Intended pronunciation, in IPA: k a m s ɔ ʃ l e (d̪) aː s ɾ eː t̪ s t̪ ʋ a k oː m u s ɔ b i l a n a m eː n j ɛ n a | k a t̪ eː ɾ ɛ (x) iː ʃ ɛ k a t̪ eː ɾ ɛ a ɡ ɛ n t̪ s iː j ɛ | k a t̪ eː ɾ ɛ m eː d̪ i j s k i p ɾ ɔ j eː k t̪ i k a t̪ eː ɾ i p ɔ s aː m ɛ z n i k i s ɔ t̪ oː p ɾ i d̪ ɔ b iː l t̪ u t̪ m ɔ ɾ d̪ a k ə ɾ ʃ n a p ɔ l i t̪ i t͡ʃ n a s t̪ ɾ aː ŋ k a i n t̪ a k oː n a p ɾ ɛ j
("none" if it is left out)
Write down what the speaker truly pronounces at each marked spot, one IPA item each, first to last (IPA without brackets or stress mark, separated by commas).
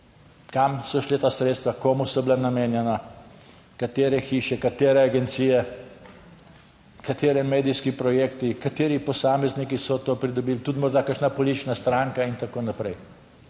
t̪, x